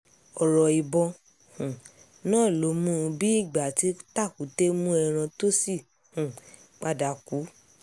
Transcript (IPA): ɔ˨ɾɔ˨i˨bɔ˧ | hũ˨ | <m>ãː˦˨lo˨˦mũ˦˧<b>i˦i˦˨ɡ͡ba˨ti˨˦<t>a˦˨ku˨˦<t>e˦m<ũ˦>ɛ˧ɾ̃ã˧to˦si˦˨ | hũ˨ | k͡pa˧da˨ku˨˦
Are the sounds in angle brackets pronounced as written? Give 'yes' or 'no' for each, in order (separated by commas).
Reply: no, yes, yes, yes, yes